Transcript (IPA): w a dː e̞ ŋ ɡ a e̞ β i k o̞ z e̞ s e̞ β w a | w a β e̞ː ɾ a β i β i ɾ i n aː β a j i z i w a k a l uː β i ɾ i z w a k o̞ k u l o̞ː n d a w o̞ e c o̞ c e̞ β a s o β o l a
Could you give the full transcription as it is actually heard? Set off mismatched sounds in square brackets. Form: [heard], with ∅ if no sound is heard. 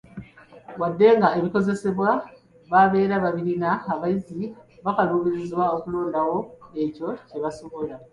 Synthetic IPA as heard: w a dː e̞ ŋ ɡ a e̞ β i k o̞ z e̞ s e̞ β w a | [β] a β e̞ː ɾ a β [a] β i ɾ i n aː β a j i z i [β] a k a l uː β i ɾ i z w a [∅] o̞ k u l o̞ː n d a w o̞ e c o̞ c e̞ β a s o β o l a